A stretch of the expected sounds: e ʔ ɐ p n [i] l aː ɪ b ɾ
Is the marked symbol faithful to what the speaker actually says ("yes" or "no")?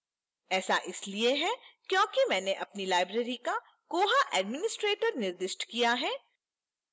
yes